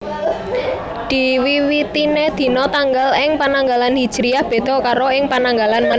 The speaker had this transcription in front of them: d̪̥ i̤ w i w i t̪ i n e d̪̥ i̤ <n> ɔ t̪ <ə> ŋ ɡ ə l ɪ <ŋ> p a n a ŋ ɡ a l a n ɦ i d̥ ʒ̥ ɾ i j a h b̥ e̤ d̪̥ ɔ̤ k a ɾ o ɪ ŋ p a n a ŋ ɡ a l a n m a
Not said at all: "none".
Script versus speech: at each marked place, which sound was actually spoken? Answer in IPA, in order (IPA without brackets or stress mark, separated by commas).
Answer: n, a, ŋ